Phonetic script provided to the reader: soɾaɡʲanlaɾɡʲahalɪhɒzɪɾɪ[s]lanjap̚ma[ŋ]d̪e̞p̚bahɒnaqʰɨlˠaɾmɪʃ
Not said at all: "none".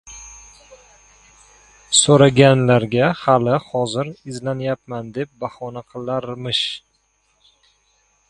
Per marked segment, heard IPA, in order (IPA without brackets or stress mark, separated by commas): z, n